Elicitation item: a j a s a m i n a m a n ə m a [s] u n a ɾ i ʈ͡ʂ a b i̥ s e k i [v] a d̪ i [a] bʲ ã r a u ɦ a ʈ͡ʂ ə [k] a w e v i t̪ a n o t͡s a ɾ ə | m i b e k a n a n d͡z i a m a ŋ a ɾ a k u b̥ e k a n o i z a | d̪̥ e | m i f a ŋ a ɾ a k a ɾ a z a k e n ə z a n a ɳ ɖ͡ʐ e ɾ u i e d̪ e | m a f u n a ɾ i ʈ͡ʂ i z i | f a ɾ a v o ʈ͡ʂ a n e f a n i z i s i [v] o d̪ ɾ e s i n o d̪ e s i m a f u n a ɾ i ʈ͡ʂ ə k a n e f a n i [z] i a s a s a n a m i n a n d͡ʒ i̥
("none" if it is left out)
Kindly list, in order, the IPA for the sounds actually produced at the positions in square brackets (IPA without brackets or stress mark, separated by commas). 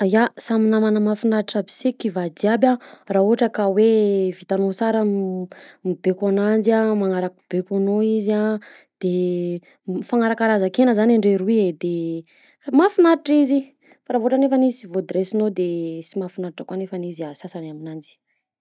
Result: f, v, a, k, v, z